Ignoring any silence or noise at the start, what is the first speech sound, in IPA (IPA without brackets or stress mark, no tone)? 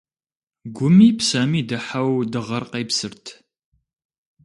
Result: ɡʷ